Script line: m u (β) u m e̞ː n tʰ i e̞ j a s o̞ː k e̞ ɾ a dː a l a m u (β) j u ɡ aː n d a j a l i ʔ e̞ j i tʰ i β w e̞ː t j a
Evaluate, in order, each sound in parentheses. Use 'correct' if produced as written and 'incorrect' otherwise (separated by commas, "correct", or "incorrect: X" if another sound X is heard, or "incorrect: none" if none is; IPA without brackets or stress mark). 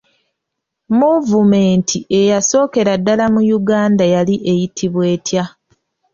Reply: incorrect: v, incorrect: none